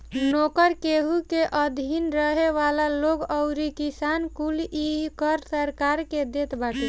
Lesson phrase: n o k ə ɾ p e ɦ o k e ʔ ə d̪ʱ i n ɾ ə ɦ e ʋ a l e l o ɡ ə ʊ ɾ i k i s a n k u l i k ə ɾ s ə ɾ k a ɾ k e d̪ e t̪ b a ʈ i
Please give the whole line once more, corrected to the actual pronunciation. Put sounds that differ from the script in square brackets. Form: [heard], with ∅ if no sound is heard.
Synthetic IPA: n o k ə ɾ [k] e ɦ [u] k e ʔ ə d̪ʱ i n ɾ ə ɦ e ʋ a l [a] l o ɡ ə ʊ ɾ i k i s a n k u l i k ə ɾ s ə ɾ k a ɾ k e d̪ e t̪ b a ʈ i